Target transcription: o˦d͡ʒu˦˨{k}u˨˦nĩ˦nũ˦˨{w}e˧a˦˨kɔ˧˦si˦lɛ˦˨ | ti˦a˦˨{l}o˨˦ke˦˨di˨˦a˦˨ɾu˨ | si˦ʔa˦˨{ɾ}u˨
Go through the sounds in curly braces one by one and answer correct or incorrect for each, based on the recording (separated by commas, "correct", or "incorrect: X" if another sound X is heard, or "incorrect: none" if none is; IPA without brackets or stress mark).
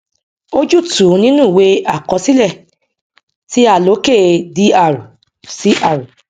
incorrect: t, correct, correct, correct